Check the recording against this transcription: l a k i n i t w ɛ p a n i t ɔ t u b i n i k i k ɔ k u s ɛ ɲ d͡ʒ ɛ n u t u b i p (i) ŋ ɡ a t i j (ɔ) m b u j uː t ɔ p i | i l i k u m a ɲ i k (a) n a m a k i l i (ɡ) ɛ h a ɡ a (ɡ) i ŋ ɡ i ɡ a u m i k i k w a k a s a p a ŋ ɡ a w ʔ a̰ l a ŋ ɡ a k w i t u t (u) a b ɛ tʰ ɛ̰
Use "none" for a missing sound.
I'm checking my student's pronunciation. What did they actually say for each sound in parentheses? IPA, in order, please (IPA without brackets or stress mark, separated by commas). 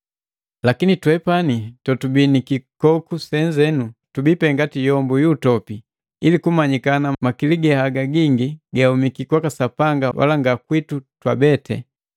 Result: ɛ, ɔ, a, ɡ, ɡ, w